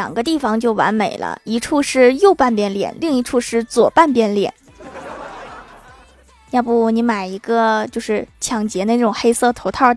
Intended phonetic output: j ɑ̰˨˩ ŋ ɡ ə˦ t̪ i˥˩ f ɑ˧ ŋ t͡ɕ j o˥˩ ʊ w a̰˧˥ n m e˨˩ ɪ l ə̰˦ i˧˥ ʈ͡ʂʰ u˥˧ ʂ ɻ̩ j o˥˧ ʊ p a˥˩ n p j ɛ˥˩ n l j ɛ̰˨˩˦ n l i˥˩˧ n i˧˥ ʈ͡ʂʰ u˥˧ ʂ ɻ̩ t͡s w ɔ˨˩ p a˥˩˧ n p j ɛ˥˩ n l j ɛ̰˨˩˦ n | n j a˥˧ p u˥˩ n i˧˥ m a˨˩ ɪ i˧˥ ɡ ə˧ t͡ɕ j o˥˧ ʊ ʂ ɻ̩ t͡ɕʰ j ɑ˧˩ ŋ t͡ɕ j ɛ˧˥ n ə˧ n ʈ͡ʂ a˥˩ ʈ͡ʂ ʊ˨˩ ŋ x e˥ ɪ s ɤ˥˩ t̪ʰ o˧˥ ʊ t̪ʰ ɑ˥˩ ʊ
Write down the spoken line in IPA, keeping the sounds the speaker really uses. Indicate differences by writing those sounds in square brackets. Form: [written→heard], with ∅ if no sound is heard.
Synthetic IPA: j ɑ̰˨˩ ŋ ɡ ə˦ t̪ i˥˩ f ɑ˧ ŋ t͡ɕ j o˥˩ ʊ w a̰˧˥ n m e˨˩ ɪ l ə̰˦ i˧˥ ʈ͡ʂʰ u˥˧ ʂ ɻ̩ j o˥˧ ʊ p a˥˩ n p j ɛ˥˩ n l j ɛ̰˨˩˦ n l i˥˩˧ [n→ŋ] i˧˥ ʈ͡ʂʰ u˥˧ ʂ ɻ̩ t͡s w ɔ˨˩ p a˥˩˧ n p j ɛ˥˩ n l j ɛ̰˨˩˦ n | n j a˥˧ p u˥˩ n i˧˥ m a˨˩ ɪ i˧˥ ɡ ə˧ t͡ɕ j o˥˧ ʊ ʂ ɻ̩ t͡ɕʰ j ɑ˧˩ ŋ t͡ɕ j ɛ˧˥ n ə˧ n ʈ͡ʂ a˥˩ ʈ͡ʂ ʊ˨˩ ŋ x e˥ ɪ s ɤ˥˩ t̪ʰ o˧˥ ʊ t̪ʰ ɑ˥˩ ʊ